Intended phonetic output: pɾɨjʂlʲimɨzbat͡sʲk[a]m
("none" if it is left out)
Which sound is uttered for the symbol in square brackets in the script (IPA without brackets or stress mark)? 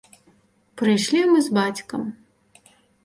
ɐ